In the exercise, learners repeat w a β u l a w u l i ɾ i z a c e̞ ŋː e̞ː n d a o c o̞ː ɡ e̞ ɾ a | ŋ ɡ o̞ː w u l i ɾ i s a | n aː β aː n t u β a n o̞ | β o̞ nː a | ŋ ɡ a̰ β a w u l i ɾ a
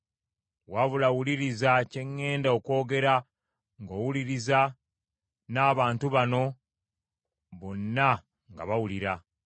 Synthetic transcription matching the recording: w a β u l a w u l i ɾ i z a c e̞ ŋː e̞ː n d a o k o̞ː ɡ e̞ ɾ a | ŋ ɡ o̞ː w u l i ɾ i z a | n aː β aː n t u β a n o̞ | β o̞ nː a | ŋ ɡ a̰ β a w u l i ɾ a